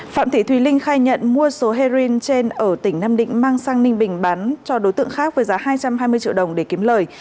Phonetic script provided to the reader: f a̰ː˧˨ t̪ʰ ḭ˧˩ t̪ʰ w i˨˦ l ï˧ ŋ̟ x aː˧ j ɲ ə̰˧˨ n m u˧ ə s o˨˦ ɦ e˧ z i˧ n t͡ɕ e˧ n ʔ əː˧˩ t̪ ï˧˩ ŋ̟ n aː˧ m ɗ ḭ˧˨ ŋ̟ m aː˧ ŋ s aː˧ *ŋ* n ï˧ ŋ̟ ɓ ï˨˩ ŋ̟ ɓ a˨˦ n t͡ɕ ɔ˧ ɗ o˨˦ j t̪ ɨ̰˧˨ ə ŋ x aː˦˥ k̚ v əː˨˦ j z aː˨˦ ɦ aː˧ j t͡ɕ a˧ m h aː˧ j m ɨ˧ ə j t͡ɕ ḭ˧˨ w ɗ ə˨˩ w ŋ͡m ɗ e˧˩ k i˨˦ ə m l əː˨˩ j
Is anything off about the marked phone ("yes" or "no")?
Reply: no